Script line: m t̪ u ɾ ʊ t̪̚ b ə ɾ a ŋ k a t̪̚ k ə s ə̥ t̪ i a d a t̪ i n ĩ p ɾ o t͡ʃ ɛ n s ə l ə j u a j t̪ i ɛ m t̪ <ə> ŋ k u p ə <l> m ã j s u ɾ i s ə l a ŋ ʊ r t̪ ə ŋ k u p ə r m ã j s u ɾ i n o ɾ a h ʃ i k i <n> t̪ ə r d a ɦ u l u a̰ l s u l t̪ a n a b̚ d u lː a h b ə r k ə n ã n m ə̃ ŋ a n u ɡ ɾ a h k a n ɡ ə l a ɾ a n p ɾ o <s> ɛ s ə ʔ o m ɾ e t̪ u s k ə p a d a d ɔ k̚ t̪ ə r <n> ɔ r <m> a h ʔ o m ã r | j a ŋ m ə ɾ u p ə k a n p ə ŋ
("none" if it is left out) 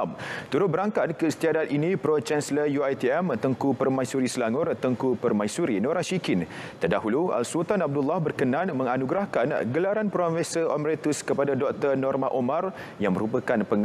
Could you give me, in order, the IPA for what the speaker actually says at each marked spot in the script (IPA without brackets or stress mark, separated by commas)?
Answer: ə, r, n, f, n, m